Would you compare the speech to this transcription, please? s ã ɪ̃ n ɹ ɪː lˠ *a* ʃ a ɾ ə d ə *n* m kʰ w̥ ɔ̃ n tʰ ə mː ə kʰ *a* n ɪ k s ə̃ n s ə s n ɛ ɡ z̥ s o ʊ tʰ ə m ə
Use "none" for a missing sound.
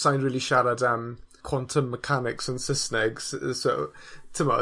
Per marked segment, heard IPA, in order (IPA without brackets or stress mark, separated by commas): i, none, a